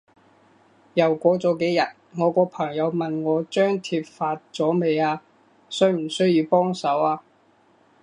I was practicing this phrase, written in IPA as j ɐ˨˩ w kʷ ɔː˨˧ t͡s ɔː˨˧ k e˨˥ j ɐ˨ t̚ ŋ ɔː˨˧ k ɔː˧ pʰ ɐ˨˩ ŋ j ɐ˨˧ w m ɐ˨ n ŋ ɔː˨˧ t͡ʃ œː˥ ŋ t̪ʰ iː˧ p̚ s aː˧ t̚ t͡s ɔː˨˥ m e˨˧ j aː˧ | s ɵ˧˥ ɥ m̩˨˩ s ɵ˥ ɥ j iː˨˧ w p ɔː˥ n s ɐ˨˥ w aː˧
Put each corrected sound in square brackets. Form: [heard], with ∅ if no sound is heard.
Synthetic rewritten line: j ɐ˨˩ w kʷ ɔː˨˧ t͡s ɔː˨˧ k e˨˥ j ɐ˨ t̚ ŋ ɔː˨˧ k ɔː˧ pʰ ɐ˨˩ ŋ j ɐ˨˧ w m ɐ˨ n ŋ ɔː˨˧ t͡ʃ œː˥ ŋ t̪ʰ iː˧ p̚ [f] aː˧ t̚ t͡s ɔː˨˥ m e˨˧ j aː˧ | s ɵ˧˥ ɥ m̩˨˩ s ɵ˥ ɥ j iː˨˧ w p ɔː˥ [ŋ] s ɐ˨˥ w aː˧

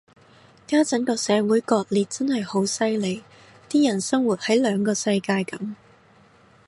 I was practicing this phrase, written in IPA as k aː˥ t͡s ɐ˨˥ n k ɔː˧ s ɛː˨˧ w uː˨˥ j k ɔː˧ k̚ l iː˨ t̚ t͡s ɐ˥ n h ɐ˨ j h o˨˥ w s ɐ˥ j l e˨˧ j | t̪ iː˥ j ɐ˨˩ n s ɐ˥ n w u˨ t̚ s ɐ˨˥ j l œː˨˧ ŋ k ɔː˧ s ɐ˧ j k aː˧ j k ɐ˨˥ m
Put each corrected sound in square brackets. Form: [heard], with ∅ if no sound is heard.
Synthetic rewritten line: k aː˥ t͡s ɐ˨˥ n k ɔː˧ s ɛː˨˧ w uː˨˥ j k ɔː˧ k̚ l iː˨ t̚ t͡s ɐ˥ n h ɐ˨ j h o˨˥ w s ɐ˥ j l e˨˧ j | t̪ iː˥ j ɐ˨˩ n s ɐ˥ [ŋ] w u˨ t̚ [h] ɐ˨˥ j l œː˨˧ ŋ k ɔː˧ s ɐ˧ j k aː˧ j k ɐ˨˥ m

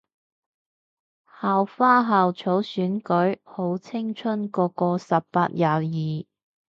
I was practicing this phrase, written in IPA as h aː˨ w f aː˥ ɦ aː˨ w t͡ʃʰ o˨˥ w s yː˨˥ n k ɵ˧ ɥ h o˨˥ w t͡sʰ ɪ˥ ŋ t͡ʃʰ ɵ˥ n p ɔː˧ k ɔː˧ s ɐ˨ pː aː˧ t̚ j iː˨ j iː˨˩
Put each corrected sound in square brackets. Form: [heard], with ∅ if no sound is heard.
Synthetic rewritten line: h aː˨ w f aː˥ ɦ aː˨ w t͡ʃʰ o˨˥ w s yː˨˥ n k [ɵ˨˥] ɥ h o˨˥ w t͡sʰ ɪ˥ ŋ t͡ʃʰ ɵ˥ n [k] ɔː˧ k ɔː˧ s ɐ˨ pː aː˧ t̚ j [aː˨] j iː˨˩

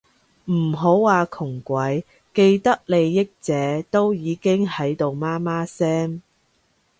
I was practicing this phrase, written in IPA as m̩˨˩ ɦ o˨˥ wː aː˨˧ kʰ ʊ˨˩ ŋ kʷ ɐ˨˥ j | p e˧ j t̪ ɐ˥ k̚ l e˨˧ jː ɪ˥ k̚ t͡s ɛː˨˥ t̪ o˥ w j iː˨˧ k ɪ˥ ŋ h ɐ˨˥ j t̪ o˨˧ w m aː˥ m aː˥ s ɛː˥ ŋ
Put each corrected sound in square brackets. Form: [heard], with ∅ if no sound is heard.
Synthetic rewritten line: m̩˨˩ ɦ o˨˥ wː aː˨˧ kʰ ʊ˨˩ ŋ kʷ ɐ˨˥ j | [k] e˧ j t̪ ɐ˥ k̚ l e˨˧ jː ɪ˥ k̚ t͡s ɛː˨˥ t̪ o˥ w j iː˨˧ k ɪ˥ ŋ h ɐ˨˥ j t̪ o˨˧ w m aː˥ m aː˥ s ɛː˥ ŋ

